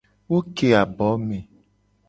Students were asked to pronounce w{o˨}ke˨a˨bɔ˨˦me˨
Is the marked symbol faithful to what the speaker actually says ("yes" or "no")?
no